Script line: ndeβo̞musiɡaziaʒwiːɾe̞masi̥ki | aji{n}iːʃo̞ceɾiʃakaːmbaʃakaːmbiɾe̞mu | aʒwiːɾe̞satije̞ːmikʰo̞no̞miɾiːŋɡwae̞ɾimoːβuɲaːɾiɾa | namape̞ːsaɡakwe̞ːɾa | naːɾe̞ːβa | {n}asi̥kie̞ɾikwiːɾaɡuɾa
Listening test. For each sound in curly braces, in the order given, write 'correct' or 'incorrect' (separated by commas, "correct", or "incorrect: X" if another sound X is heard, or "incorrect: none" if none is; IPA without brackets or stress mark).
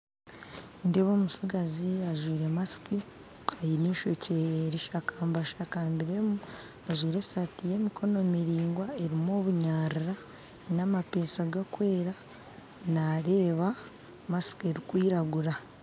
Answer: correct, incorrect: m